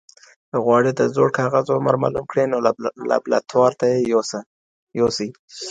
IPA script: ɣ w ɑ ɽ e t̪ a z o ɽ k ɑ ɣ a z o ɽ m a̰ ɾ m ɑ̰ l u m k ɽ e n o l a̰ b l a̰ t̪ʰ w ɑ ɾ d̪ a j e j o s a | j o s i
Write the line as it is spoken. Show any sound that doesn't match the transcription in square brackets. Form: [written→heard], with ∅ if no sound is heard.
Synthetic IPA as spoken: ɣ w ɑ ɽ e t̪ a z o ɽ k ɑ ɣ a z o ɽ m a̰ ɾ m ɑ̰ l u m k ɽ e n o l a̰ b l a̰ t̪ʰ w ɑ ɾ [d̪→t̪] a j e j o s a | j o s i